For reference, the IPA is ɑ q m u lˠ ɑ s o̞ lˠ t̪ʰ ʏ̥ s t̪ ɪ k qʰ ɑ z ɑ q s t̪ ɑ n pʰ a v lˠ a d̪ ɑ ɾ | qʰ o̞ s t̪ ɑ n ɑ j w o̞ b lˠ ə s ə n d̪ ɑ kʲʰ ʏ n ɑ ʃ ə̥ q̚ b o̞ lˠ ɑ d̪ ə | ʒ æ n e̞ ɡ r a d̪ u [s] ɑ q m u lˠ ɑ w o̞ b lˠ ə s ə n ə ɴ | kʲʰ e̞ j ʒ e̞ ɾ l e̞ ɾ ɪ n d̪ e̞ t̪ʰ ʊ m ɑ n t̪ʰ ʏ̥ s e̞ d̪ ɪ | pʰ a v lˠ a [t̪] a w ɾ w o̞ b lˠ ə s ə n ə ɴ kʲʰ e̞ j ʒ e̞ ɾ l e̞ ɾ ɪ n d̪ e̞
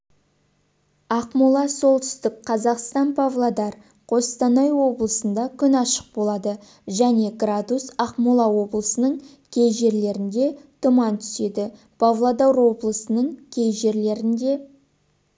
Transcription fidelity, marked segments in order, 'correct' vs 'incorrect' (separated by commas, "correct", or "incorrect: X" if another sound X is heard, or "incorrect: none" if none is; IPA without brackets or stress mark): correct, incorrect: d̪